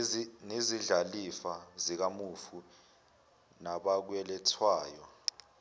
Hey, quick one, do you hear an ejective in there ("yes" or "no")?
no